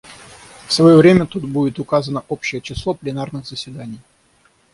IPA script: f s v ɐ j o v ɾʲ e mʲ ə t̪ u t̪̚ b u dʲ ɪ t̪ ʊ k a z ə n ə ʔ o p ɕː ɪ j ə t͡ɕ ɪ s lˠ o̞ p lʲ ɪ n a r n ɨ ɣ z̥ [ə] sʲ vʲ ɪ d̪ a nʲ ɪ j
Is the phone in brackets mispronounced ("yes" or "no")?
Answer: no